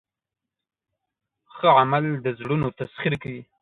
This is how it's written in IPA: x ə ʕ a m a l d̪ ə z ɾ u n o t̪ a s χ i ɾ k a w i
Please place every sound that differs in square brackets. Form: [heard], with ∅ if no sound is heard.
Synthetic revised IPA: x ə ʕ a m a l d̪ ə z [ɽ] u n o t̪ a s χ i ɾ k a w i